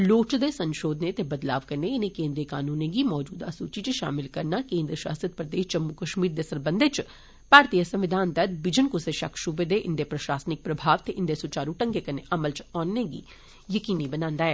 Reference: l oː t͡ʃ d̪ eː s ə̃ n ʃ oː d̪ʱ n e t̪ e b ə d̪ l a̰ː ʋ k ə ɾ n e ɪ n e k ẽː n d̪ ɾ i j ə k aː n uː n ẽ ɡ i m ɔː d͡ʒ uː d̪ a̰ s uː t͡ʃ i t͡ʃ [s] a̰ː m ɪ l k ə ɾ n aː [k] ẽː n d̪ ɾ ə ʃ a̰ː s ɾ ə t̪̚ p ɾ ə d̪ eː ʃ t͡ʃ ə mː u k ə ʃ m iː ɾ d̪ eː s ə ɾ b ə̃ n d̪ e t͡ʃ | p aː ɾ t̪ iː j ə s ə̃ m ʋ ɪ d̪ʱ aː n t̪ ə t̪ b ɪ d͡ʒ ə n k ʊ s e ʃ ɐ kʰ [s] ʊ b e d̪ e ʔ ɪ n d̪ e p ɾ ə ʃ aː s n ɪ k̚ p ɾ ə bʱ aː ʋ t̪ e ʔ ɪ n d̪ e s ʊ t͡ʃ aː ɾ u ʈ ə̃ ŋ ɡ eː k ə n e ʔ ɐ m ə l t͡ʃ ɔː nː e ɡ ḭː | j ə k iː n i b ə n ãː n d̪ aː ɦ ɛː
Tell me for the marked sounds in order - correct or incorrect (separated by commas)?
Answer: incorrect, correct, incorrect